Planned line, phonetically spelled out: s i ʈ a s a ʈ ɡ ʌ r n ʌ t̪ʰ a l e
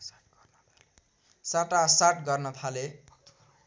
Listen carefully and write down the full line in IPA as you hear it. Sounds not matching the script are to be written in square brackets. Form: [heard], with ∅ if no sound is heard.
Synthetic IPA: s [a] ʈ a s a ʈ ɡ ʌ r n ʌ t̪ʰ a l e